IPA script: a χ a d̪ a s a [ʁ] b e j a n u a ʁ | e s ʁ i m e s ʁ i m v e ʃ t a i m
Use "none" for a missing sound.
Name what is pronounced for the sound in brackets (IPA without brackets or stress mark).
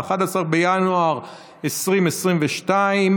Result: ʁ